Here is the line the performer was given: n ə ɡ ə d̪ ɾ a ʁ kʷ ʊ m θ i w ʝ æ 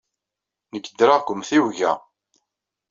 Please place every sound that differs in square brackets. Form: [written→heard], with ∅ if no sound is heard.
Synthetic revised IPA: n ə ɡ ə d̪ ɾ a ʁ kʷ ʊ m θ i w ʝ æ